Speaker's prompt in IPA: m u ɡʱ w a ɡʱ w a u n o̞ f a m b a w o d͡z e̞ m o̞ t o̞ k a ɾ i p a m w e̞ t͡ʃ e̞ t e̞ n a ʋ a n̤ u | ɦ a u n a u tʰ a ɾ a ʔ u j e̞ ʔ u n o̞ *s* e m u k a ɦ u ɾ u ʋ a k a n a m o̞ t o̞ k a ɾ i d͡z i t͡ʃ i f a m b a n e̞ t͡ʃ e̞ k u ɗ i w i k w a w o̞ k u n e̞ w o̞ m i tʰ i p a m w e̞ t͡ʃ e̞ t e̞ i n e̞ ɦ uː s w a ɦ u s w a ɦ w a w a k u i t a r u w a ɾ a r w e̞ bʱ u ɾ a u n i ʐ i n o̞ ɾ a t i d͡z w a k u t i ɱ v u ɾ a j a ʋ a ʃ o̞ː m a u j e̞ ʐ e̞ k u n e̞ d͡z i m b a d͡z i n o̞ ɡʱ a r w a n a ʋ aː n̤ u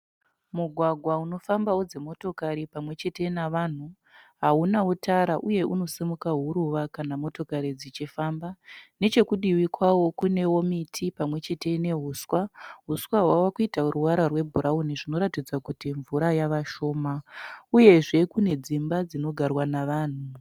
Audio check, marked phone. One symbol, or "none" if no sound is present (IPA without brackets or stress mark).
s